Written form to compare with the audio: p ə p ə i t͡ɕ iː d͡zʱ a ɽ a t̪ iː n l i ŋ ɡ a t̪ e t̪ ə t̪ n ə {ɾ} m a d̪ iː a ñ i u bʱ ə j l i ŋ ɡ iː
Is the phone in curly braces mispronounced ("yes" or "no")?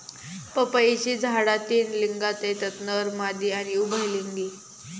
no